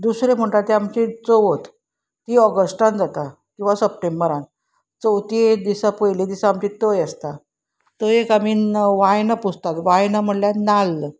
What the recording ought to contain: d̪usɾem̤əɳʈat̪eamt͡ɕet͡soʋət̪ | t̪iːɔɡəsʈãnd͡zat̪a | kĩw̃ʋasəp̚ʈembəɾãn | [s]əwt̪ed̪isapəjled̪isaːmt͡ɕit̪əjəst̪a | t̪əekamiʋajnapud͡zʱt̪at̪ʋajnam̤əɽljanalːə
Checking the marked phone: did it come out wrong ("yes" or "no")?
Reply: yes